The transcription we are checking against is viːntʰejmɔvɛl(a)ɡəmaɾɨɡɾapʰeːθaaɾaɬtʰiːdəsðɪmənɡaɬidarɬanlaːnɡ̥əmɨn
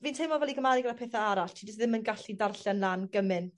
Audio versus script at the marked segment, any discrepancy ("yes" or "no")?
yes